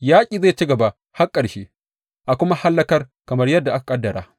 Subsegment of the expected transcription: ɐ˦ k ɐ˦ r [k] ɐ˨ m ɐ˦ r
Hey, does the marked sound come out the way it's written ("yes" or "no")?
yes